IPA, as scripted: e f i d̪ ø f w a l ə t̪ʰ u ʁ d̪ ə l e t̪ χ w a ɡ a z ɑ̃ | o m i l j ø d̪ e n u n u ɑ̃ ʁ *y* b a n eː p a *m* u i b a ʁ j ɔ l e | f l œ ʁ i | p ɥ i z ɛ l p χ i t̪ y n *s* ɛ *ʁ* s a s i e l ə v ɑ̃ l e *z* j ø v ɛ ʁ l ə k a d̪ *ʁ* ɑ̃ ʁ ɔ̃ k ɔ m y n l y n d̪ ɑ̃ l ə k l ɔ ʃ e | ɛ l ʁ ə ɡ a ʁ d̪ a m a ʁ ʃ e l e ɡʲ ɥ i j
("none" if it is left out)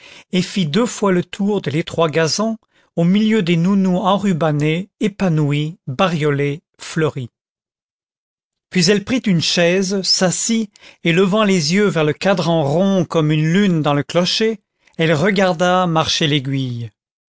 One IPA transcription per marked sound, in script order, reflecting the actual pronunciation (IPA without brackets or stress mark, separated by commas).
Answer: y, n, ʃ, z, z, ʁ